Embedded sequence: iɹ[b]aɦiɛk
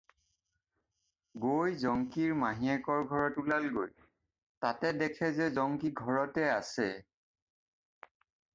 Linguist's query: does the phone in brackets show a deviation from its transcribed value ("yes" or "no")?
yes